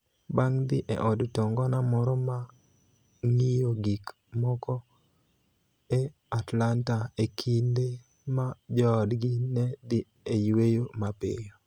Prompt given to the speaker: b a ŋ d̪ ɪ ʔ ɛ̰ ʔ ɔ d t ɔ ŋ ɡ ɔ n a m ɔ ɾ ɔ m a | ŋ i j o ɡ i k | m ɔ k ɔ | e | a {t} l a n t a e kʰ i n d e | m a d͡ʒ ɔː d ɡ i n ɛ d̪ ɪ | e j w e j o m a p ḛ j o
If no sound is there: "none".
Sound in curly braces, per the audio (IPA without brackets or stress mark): t